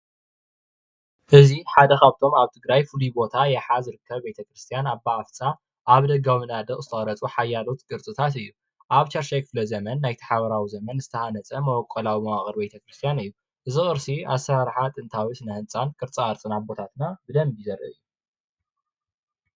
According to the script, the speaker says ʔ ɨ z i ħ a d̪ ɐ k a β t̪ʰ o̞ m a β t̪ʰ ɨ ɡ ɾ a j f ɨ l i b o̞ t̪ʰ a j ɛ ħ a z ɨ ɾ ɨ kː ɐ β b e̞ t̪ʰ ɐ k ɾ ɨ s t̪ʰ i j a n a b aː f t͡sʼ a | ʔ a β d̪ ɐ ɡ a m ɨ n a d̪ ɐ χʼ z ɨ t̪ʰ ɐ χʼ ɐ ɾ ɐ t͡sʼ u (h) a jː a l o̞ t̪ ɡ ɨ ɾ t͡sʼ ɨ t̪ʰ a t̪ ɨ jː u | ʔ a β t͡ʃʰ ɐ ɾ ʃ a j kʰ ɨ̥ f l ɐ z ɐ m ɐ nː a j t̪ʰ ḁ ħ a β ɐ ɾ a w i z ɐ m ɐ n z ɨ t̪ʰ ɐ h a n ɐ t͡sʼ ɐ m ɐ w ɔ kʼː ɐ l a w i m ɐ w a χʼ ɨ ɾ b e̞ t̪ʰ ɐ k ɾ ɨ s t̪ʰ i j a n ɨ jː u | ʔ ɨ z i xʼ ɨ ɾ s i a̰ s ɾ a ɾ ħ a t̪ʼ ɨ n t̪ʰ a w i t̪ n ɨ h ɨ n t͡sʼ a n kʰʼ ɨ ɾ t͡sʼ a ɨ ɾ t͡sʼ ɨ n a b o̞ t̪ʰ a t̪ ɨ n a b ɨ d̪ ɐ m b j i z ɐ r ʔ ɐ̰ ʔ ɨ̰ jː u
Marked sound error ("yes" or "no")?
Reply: yes